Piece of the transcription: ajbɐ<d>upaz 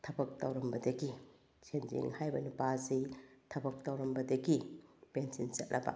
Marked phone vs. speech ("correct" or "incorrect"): incorrect